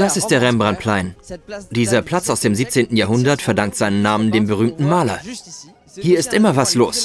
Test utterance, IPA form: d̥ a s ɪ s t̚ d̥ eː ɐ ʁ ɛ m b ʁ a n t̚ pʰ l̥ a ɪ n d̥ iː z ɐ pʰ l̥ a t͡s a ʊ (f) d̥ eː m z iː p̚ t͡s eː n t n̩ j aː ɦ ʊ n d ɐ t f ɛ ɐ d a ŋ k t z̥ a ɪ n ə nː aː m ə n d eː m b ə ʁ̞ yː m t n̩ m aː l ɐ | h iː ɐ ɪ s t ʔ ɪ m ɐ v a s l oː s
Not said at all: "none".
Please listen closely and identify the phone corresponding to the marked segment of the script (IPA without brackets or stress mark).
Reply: s